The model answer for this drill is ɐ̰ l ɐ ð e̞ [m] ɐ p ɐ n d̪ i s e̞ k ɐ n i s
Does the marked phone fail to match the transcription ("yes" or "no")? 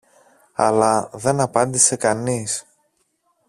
yes